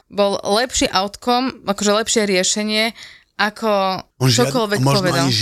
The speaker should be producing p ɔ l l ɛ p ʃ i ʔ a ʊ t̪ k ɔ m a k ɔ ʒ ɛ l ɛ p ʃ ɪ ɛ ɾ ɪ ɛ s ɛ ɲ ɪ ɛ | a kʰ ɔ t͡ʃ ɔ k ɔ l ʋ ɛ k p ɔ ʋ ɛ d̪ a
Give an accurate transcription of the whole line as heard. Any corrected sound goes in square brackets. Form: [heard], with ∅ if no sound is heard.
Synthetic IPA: [b] ɔ l l ɛ p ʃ i ʔ a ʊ t̪ k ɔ m a k ɔ ʒ ɛ l ɛ p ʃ ɪ ɛ ɾ ɪ ɛ [ʃ] ɛ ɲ ɪ ɛ | a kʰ ɔ t͡ʃ ɔ k ɔ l ʋ ɛ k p ɔ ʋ ɛ d̪ a